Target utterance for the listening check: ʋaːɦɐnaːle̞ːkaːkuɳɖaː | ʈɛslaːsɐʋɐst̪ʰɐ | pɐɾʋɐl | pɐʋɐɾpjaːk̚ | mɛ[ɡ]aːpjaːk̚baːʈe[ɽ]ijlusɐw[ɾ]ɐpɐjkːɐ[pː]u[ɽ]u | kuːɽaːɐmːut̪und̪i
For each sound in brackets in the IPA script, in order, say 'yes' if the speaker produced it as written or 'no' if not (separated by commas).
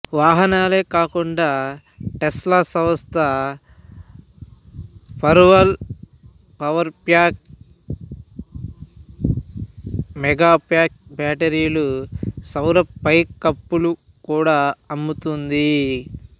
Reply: yes, no, yes, yes, no